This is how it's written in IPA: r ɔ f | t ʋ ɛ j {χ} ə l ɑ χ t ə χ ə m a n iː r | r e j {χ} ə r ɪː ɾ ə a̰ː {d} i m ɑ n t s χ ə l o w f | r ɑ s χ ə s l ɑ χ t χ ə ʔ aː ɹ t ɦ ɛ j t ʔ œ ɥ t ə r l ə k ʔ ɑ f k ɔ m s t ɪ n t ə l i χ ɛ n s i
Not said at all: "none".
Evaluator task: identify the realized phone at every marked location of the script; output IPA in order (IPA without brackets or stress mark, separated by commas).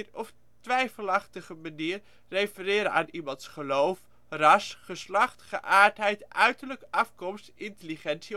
f, f, n